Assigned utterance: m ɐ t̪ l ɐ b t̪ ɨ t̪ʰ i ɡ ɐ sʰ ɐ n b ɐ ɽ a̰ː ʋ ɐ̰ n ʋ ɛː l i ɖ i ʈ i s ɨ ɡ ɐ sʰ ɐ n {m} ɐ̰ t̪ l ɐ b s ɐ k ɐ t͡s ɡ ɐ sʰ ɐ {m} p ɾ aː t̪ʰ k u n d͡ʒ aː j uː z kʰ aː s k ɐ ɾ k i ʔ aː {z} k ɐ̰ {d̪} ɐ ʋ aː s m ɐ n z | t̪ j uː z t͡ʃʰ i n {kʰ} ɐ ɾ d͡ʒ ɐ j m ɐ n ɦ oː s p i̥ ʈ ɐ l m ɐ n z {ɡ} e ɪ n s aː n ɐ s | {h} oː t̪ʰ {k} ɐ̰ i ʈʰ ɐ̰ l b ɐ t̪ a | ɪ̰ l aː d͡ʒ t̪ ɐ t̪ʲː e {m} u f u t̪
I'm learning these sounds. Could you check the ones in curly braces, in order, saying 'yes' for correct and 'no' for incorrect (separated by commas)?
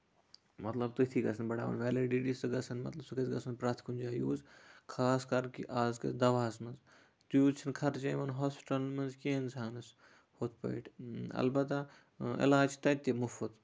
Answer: yes, no, yes, yes, yes, no, yes, no, yes